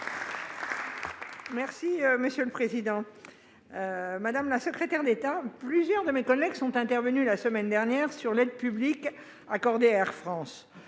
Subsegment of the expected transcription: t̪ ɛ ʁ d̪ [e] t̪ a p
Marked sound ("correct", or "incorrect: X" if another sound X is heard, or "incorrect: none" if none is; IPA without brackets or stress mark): correct